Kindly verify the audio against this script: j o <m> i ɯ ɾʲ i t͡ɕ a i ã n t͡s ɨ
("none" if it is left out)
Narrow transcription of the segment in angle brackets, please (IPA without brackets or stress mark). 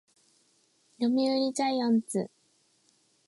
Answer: m